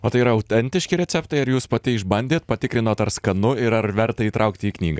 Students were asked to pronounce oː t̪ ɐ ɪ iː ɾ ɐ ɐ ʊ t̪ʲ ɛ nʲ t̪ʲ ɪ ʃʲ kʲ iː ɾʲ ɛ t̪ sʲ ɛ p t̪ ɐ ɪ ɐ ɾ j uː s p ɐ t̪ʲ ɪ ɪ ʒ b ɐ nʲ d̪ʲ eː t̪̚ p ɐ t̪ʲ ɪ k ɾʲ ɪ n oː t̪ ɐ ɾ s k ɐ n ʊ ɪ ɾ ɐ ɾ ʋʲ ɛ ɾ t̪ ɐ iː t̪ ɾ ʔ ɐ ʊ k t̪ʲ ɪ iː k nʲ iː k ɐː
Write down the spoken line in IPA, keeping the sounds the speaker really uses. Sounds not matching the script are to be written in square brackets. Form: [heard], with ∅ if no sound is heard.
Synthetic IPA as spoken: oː t̪ ɐ ɪ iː ɾ ɐ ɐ ʊ t̪ʲ ɛ nʲ t̪ʲ ɪ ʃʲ kʲ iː ɾʲ ɛ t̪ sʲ ɛ p t̪ ɐ ɪ ɐ ɾ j uː s p ɐ t̪ʲ ɪ ɪ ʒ b ɐ nʲ d̪ʲ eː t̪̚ p ɐ t̪ʲ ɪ k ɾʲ ɪ n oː t̪ ɐ ɾ s k ɐ n ʊ ɪ ɾ ɐ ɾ ʋʲ ɛ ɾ t̪ ɐ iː t̪ ɾ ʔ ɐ ʊ k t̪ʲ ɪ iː k nʲ iː [ɡ] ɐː